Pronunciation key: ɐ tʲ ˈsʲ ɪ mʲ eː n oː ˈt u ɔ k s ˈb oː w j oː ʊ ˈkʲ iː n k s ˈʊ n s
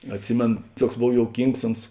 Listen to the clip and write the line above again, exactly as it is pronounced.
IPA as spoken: ɐ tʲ ˈsʲ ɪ mʲ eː n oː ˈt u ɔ k s ˈb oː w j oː ʊ ˈkʲ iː ŋ k s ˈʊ n s